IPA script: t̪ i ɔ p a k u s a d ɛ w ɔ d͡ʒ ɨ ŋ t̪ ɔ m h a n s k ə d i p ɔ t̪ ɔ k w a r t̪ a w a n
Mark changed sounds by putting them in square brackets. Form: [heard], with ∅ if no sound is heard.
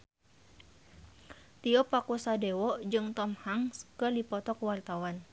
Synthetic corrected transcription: t̪ i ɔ p a k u s a d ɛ w ɔ d͡ʒ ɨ ŋ t̪ ɔ m h a [ŋ] s k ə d i p ɔ t̪ ɔ k w a r t̪ a w a n